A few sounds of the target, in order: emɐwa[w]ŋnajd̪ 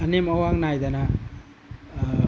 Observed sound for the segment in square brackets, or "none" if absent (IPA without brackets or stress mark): none